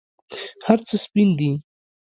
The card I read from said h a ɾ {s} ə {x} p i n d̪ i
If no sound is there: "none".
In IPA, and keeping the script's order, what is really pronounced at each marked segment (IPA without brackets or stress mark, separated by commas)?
t͡s, s